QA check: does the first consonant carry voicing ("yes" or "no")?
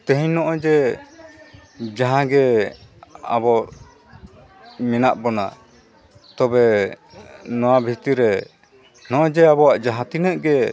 no